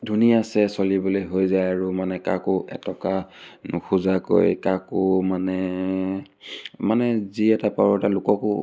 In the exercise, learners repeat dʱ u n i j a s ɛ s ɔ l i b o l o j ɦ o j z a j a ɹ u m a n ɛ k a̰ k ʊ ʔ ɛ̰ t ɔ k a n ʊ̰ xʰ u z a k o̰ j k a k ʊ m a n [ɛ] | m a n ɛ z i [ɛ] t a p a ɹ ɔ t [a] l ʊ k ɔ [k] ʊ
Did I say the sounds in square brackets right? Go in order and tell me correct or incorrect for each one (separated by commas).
correct, correct, correct, correct